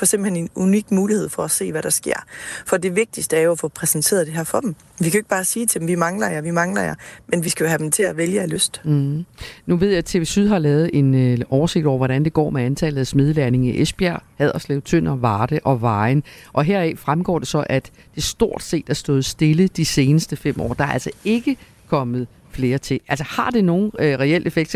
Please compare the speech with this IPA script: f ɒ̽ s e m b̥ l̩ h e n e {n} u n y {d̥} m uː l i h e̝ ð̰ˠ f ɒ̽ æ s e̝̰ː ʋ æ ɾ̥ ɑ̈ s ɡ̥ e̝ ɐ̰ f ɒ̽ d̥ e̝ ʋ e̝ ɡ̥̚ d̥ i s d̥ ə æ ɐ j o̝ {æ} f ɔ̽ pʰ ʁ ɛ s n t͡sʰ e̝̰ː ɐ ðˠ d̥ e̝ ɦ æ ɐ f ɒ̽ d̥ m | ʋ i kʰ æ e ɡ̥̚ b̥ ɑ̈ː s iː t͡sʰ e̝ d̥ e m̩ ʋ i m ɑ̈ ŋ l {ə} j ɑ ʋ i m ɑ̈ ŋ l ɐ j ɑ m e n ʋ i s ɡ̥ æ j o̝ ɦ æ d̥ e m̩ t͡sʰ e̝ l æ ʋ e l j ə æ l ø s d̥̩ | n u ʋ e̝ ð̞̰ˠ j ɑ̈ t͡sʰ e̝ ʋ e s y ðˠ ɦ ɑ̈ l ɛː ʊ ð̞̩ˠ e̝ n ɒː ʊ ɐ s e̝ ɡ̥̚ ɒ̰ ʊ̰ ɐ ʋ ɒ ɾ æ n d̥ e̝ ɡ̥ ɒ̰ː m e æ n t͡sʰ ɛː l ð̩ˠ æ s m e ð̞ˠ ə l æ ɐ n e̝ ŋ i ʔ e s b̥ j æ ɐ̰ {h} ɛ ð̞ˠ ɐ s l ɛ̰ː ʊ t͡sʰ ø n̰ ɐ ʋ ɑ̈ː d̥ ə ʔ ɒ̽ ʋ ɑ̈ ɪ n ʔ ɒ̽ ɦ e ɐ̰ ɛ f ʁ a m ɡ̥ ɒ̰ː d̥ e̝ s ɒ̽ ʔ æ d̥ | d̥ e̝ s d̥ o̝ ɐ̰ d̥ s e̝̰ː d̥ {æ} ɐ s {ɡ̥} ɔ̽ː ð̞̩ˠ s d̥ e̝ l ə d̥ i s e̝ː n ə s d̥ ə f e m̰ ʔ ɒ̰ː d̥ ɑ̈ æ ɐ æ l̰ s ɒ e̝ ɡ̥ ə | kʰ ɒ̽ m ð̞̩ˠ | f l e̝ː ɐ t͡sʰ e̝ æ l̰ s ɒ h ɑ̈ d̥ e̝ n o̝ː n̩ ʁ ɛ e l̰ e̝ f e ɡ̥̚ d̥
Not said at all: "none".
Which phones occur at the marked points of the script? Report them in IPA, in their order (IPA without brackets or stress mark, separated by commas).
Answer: n, ɡ̥, æ, ɐ, h, æ, d̥